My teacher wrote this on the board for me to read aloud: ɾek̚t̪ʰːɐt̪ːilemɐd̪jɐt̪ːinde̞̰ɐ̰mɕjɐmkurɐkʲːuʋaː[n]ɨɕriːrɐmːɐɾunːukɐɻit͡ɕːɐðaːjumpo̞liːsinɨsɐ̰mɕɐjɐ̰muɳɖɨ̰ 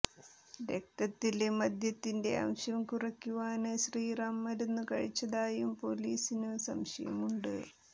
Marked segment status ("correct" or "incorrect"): correct